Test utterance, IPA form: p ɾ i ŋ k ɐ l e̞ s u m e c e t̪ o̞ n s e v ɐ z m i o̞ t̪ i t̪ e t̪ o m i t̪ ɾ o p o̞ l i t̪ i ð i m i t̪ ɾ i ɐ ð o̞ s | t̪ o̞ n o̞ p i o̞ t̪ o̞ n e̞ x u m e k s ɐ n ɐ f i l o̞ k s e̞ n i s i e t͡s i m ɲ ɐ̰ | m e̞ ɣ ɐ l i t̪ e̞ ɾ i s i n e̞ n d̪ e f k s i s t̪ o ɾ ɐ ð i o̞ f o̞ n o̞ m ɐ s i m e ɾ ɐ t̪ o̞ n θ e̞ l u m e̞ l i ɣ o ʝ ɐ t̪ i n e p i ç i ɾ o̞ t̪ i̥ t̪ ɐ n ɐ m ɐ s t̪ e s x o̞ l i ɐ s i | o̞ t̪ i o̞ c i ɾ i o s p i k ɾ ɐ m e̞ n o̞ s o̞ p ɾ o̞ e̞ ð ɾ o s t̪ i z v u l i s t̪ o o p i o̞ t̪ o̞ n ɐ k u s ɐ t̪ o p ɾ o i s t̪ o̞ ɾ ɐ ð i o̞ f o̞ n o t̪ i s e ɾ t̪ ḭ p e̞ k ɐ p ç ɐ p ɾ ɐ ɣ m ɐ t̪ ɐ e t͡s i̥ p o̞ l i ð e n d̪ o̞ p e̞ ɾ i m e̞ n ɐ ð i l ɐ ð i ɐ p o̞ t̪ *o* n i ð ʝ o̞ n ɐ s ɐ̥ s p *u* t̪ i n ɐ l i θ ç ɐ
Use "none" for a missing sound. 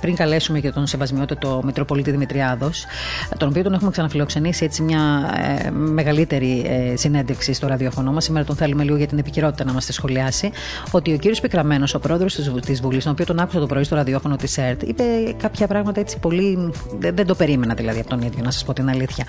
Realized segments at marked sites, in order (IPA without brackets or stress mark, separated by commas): o, o